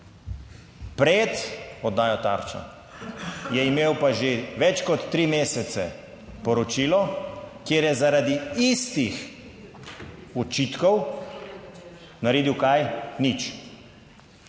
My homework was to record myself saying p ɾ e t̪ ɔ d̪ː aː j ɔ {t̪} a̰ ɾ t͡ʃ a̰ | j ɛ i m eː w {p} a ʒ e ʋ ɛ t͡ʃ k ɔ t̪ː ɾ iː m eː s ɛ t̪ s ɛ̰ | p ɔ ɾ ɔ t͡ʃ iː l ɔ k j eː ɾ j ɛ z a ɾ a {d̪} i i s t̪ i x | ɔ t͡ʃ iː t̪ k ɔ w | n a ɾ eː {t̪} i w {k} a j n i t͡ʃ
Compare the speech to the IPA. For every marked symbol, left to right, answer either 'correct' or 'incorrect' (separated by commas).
correct, correct, correct, incorrect, correct